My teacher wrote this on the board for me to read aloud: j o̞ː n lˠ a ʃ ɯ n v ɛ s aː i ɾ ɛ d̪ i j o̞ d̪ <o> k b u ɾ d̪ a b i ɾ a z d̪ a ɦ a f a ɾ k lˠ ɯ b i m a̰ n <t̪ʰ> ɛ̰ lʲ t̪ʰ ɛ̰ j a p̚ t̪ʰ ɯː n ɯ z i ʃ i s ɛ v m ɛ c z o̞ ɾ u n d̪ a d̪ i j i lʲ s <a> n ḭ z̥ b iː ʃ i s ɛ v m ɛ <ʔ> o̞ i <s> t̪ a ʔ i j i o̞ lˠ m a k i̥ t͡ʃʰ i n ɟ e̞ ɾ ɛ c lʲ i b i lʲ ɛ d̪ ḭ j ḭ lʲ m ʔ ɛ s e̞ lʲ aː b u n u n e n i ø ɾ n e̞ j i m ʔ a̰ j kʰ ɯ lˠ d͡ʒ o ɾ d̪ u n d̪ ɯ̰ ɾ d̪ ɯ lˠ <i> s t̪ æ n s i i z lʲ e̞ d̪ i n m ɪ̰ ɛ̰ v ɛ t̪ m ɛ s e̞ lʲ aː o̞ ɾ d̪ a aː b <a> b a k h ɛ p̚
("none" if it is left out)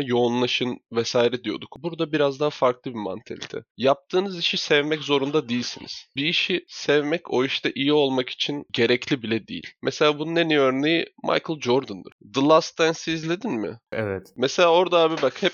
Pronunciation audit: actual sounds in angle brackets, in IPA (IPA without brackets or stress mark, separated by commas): u, t̪ʰ, i, c, ʃ, a, i